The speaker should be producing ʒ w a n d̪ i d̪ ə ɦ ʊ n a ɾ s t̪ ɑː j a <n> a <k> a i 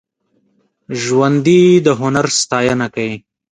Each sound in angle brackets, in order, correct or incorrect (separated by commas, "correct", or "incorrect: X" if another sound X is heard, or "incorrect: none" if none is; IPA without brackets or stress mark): correct, correct